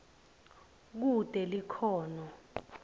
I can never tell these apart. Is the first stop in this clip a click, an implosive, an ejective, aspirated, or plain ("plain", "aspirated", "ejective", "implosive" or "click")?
plain